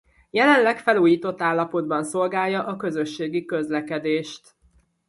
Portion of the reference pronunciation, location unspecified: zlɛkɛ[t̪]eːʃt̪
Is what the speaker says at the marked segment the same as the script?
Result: no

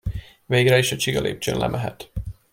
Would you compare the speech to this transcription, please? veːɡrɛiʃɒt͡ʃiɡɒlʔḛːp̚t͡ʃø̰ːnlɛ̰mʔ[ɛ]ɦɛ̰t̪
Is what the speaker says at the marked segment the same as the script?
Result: yes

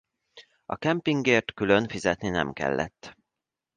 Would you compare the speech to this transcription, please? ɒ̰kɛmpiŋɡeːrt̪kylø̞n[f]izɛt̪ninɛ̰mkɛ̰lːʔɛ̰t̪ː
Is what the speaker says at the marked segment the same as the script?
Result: yes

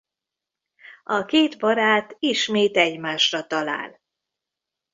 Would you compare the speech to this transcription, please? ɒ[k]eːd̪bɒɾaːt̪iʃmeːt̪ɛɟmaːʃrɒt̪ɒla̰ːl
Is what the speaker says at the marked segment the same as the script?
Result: yes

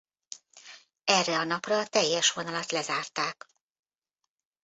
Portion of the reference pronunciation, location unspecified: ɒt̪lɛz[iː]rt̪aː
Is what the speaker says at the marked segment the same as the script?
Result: no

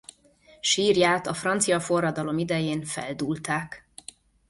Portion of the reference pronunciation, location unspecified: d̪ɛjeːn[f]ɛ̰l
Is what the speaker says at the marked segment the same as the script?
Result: yes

